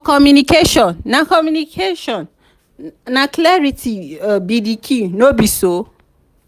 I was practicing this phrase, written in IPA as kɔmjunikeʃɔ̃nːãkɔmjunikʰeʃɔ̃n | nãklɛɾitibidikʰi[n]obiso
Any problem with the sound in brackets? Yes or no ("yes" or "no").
no